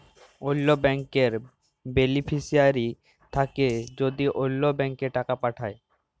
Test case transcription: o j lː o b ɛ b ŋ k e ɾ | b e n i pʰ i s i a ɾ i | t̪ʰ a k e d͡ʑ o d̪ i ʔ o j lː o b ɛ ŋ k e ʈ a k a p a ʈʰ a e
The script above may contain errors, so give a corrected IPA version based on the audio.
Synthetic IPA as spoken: o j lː o b ɛ ŋ k e ɾ | b e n i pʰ i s i a ɾ i | t̪ʰ a k e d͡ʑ o d̪ i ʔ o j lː o b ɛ ŋ k e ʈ a k a p a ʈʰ a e